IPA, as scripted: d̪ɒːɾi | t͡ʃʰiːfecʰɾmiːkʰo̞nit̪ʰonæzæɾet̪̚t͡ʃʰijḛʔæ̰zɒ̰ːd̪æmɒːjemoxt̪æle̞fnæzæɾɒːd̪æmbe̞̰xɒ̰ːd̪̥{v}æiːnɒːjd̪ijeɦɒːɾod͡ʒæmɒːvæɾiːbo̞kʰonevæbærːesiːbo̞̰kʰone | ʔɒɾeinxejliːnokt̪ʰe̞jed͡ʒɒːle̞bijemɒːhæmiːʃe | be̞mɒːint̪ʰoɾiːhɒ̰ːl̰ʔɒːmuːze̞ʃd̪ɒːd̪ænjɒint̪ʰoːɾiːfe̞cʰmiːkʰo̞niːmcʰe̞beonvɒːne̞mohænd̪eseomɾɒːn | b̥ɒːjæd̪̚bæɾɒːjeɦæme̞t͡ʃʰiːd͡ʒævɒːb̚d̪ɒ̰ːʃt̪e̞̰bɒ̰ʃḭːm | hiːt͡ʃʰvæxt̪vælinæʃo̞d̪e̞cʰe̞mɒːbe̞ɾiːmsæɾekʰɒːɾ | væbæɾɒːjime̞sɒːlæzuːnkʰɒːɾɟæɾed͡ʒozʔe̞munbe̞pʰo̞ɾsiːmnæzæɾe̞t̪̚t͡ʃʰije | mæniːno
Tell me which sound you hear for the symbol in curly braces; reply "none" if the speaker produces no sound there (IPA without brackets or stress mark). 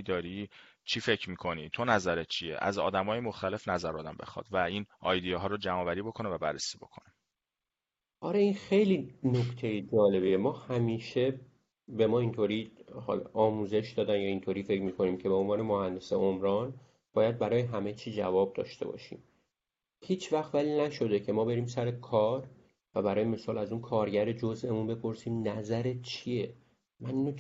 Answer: v